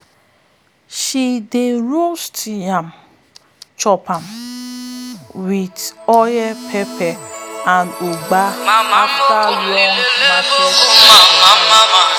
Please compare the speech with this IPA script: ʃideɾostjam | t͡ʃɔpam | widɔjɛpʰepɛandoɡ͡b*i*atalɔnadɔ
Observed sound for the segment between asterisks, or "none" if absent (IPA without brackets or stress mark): a